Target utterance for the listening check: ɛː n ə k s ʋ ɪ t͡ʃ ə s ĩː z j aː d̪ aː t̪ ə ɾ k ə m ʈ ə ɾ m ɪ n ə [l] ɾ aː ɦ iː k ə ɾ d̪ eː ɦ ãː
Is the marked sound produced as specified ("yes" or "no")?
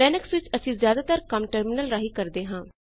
yes